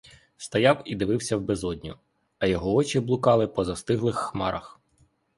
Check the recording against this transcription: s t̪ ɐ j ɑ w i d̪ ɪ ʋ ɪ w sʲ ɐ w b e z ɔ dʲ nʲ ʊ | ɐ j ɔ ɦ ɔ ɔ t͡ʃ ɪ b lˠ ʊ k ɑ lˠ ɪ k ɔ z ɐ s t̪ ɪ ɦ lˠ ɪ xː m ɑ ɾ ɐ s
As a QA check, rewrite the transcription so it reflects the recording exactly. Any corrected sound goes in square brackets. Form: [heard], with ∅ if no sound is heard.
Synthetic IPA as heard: s t̪ ɐ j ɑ w i d̪ ɪ ʋ ɪ w sʲ ɐ w b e z ɔ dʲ nʲ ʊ | ɐ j ɔ ɦ ɔ ɔ t͡ʃ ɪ b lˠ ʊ k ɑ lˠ ɪ [p] ɔ z ɐ s t̪ ɪ ɦ lˠ ɪ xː m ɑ ɾ ɐ [x]